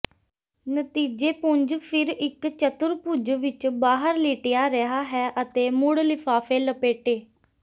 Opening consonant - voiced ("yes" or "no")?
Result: yes